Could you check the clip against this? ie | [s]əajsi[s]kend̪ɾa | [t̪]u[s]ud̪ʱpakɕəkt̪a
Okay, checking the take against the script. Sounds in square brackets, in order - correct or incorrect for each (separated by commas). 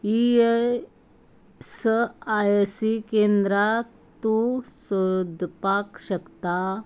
correct, incorrect, correct, correct